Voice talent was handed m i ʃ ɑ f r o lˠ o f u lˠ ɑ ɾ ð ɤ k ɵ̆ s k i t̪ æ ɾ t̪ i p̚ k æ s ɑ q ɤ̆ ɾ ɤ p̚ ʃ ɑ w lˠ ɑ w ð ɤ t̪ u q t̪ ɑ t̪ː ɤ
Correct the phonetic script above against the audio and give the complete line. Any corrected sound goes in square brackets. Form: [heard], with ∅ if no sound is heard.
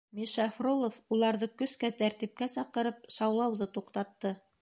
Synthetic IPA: m i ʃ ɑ f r o lˠ o f u lˠ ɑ ɾ ð ɤ k ɵ̆ s k [æ] t̪ æ ɾ t̪ i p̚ k æ s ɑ q ɤ̆ ɾ ɤ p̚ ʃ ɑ w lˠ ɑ w ð ɤ t̪ u q t̪ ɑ t̪ː ɤ